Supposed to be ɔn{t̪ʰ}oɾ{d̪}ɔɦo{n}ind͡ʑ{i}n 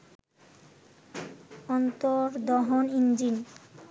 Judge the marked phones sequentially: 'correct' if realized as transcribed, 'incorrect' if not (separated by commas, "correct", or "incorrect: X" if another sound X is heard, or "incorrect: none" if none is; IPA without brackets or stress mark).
incorrect: t̪, correct, correct, correct